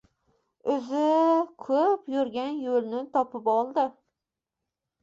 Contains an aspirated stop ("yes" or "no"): yes